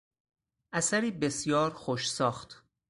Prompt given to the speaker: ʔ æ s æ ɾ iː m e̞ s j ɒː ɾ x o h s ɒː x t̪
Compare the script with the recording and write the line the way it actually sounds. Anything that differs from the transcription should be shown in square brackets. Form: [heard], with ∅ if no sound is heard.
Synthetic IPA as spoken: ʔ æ s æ ɾ iː [b] e̞ s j ɒː ɾ x o [ʃ] s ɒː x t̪